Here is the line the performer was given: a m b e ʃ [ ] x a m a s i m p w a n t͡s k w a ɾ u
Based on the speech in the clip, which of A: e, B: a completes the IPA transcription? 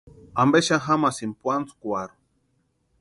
B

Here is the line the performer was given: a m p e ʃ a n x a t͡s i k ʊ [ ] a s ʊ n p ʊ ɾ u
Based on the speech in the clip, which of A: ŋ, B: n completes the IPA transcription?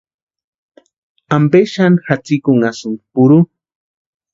A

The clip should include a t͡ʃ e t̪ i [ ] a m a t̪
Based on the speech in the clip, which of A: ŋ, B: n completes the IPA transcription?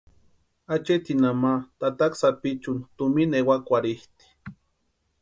B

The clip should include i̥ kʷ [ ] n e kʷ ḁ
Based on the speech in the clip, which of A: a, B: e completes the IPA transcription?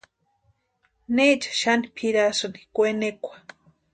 B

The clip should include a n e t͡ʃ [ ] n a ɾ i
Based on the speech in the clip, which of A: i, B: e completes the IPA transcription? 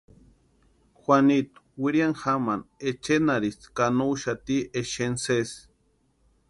B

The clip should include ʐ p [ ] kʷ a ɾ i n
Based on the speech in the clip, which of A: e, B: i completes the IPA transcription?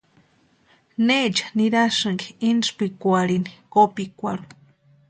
B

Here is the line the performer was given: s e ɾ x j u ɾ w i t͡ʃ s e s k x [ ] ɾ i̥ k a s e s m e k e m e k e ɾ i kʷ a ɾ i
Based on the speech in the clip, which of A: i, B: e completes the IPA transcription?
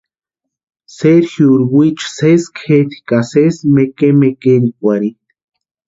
B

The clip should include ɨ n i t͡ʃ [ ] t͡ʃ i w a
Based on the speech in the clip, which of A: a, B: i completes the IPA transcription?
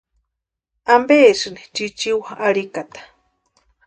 B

